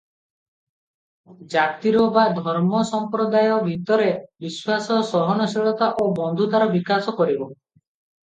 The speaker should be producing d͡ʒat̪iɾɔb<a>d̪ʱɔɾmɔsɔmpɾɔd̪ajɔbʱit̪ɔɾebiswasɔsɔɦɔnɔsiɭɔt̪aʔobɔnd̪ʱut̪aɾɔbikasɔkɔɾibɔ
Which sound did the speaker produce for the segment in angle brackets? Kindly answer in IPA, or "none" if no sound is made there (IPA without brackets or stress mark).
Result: a